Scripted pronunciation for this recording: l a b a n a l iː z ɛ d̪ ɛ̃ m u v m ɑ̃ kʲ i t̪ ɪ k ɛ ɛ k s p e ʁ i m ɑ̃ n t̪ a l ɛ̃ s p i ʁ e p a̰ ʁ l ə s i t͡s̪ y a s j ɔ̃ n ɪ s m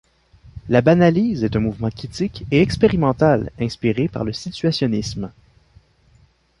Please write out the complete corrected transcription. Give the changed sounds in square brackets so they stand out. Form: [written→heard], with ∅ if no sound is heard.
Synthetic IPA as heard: l a b a n a l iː z ɛ [d̪→t̪] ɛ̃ m u v m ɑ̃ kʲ i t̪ ɪ k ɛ ɛ k s p e ʁ i m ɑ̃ [n→∅] t̪ a l ɛ̃ s p i ʁ e p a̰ ʁ l ə s i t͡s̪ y a s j [ɔ̃→ɔ] n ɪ s m